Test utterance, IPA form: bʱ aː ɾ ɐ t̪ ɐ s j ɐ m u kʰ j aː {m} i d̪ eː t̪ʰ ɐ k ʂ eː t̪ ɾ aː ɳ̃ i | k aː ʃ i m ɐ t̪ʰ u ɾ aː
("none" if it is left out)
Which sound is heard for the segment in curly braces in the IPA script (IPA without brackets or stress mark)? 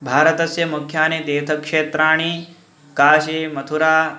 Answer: n